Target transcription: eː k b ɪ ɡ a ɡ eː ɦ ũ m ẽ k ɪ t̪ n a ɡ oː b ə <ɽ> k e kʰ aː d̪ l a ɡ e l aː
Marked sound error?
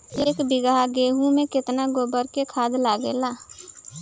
yes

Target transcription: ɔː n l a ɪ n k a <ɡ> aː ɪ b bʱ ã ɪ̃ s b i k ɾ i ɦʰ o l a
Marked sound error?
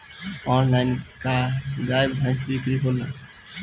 no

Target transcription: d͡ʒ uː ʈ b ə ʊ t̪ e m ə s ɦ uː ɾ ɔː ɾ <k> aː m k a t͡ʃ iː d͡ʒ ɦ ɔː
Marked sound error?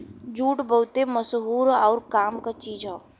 no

